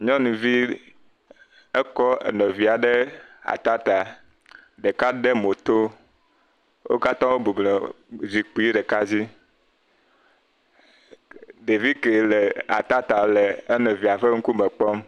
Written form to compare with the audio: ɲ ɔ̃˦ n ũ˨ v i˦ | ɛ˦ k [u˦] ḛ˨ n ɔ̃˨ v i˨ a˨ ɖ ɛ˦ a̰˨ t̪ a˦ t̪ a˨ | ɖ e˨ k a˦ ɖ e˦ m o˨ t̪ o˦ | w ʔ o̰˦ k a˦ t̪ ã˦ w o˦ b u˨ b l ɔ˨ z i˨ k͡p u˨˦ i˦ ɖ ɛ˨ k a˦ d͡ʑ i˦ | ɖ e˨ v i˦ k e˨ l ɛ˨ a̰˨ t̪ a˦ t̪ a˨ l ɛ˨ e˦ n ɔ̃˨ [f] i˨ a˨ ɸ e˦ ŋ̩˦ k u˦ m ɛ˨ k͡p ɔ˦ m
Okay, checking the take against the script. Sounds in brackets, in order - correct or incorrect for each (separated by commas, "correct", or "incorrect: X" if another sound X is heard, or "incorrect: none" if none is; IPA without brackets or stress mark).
incorrect: ɔ˦, incorrect: v